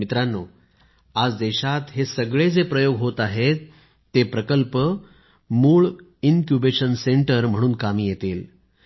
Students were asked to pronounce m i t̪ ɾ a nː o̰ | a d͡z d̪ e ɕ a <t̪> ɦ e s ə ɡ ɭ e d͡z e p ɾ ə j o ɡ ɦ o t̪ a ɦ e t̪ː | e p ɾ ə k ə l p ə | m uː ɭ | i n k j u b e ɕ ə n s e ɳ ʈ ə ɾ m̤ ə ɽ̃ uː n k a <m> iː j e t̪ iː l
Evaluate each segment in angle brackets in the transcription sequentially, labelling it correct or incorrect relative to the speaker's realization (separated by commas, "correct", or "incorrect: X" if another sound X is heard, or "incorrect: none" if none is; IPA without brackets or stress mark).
correct, correct